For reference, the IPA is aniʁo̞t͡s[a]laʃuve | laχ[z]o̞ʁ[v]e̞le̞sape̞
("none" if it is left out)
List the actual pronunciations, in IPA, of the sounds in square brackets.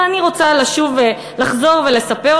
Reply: a, z, v

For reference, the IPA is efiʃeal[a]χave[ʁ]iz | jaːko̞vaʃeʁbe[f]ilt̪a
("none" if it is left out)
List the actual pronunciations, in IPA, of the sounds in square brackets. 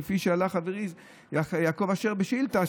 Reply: a, ʁ, ʃ

